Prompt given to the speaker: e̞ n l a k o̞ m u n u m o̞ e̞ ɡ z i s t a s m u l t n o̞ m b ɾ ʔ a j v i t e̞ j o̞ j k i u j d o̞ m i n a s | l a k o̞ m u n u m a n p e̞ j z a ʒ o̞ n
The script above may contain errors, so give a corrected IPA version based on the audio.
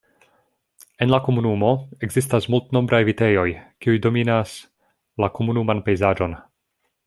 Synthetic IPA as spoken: e̞ n l a k o̞ m u n u m o̞ e̞ ɡ z i s t a s m u l t n o̞ m b ɾ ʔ a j v i t e̞ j o̞ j k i u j d o̞ m i n a s | l a k o̞ m u n u m a n p e̞ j z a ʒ o̞ n